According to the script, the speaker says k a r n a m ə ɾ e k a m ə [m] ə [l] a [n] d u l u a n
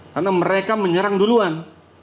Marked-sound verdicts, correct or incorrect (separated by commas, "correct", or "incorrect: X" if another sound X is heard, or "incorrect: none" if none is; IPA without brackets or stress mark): incorrect: ɲ, incorrect: ɾ, incorrect: ŋ